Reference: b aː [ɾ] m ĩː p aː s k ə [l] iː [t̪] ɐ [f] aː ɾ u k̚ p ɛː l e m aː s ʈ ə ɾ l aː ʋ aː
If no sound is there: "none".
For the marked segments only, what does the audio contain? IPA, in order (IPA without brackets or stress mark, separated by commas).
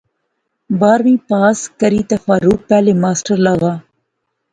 ɾ, ɾ, t̪, f